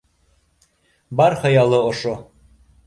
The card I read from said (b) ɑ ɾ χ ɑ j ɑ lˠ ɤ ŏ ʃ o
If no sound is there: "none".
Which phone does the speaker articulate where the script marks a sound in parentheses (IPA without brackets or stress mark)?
b